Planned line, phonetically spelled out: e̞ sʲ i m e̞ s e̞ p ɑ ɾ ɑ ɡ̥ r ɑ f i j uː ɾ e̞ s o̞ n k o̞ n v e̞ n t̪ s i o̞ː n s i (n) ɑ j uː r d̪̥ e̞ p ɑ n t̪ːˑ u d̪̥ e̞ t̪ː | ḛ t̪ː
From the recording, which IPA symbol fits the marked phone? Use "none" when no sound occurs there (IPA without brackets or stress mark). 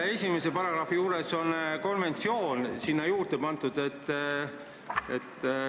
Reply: nː